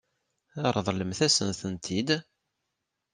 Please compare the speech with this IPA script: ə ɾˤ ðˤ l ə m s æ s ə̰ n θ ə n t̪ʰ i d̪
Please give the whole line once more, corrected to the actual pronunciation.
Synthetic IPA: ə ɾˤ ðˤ l ə m θ æ s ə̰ n θ ə n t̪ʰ i d̪